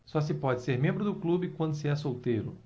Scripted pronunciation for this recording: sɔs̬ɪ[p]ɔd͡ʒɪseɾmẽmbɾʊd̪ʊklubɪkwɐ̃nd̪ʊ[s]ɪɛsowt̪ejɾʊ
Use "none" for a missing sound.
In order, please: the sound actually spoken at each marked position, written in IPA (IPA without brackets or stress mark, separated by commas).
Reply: p, s